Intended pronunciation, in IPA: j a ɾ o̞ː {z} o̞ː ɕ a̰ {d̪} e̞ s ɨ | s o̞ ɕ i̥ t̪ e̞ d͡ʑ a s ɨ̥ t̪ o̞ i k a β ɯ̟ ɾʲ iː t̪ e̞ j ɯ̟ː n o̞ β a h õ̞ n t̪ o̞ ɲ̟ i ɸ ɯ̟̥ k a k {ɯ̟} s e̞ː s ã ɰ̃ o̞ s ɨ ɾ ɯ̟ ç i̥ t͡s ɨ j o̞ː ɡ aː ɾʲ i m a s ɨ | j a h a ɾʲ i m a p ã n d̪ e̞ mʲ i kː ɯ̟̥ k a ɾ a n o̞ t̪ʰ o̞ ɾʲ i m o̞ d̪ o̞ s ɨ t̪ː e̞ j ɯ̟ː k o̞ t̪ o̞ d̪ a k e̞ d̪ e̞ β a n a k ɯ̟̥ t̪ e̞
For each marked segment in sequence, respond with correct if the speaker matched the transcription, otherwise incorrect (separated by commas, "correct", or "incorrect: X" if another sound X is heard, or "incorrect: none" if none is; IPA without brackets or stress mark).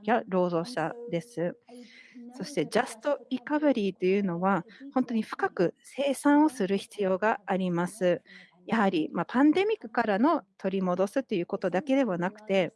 correct, correct, correct